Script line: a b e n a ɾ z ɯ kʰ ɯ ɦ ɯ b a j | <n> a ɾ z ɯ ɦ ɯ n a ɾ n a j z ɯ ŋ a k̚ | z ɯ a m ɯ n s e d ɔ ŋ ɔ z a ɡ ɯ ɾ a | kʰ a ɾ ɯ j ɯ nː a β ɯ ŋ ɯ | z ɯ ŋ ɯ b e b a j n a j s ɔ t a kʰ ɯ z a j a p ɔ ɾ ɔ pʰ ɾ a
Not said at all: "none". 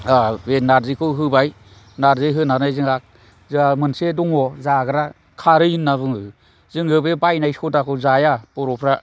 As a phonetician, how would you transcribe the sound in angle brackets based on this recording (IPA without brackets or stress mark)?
n